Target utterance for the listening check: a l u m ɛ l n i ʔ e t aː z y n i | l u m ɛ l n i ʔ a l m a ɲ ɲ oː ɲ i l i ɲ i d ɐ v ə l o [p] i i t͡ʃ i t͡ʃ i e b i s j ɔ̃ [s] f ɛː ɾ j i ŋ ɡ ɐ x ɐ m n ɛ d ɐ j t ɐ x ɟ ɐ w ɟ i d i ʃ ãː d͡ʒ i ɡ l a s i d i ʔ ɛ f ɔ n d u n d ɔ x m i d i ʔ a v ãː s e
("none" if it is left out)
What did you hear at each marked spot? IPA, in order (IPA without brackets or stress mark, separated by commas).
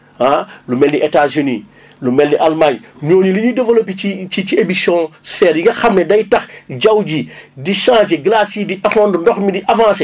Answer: p, s